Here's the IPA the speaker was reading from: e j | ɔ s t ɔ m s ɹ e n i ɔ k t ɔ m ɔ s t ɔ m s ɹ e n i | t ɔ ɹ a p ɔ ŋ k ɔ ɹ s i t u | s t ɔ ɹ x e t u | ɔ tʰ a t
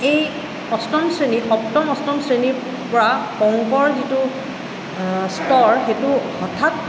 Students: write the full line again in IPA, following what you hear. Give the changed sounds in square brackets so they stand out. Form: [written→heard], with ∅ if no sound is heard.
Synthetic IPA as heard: e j | ɔ s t ɔ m s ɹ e n i ɔ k t ɔ m ɔ s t ɔ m s ɹ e n i | [t→p] ɔ ɹ a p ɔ ŋ k ɔ ɹ [s→z] i t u | s t ɔ ɹ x e t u | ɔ tʰ a t

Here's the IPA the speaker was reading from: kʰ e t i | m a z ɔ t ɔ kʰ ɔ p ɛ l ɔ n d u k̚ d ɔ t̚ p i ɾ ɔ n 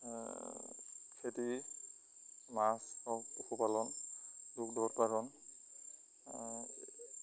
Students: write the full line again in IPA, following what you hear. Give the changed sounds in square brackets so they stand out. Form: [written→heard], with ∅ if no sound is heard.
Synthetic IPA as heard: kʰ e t i | m a [z→s] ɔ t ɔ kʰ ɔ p [ɛ→a] l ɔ n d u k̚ d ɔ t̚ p [i→a] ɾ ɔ n

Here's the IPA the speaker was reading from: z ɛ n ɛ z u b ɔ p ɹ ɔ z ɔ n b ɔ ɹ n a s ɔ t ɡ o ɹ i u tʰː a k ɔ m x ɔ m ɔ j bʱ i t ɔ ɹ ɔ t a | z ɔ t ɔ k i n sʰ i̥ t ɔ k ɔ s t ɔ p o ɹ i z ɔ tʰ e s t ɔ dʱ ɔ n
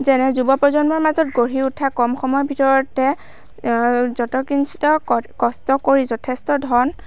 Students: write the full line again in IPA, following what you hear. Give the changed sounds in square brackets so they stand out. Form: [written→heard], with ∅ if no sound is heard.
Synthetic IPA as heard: z ɛ n ɛ z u b ɔ p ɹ ɔ z ɔ n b ɔ ɹ [n→m] a [s→z] ɔ t ɡ o ɹ i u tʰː a k ɔ m x ɔ m ɔ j bʱ i t ɔ ɹ ɔ t [a→ɛ] | z ɔ t ɔ k i n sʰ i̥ t ɔ k ɔ s t ɔ [p→k] o ɹ i z ɔ tʰ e s t ɔ dʱ ɔ n

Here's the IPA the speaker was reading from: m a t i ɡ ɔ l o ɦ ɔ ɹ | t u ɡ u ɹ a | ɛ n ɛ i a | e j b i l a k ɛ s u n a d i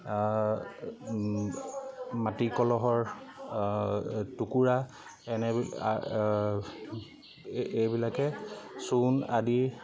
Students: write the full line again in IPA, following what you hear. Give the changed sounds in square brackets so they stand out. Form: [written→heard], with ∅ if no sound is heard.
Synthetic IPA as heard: m a t i [ɡ→k] ɔ l [o→ɔ] ɦ ɔ ɹ | t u [ɡ→k] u ɹ a | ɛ n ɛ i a | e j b i l a k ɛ s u n a d i

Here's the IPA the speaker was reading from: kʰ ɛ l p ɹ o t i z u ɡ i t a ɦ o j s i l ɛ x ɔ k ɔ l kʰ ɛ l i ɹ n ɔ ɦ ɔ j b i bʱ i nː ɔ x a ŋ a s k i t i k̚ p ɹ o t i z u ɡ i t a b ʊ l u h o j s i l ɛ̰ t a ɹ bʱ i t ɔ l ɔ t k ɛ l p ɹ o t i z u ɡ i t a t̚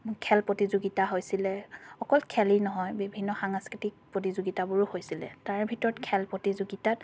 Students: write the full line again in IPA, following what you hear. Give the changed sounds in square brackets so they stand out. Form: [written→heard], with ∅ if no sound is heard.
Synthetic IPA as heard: kʰ ɛ l p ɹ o t i z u ɡ i t a ɦ o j s i l ɛ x ɔ k ɔ l kʰ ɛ l i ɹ n ɔ ɦ ɔ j b i bʱ i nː ɔ x a ŋ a s k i t i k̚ p ɹ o t i z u ɡ i t a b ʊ [l→ɹ] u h o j s i l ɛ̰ t a ɹ bʱ i t ɔ [l→ɹ] ɔ t [k→kʰ] ɛ l p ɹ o t i z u ɡ i t a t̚

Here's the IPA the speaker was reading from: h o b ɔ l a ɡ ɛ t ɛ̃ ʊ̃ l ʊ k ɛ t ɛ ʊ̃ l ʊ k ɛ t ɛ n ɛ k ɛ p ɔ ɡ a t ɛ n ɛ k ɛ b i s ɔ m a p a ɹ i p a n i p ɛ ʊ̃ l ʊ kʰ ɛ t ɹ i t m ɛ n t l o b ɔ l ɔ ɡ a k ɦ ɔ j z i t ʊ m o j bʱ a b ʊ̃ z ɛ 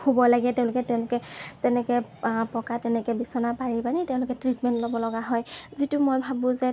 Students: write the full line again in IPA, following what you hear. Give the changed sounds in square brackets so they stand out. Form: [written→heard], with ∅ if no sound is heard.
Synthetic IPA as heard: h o b ɔ l a ɡ ɛ t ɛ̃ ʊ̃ l ʊ k ɛ t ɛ ʊ̃ l ʊ k ɛ t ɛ n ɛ k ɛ p ɔ [ɡ→k] a t ɛ n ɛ k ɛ b i s ɔ [m→n] a p a ɹ i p a n i [p→t] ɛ ʊ̃ l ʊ [kʰ→k] ɛ t ɹ i t m ɛ n t l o b ɔ l ɔ ɡ a [k→∅] ɦ ɔ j z i t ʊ m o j bʱ a b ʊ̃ z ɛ

